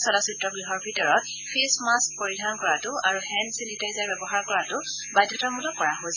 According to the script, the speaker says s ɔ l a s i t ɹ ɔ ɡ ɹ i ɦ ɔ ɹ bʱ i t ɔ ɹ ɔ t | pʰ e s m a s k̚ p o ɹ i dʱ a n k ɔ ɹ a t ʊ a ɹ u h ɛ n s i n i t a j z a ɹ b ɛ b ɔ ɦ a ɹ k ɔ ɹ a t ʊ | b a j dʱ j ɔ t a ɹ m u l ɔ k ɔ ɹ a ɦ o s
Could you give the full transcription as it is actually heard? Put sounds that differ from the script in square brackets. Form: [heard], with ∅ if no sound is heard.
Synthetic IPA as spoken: s ɔ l a s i t ɹ ɔ ɡ ɹ i ɦ ɔ ɹ bʱ i t ɔ ɹ ɔ t | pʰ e s m a s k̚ p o ɹ i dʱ a n k ɔ ɹ a t ʊ a ɹ u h ɛ n s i n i t a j z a ɹ b ɛ b ɔ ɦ a ɹ k ɔ ɹ a t ʊ | b a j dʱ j ɔ t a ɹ m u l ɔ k ɔ ɹ a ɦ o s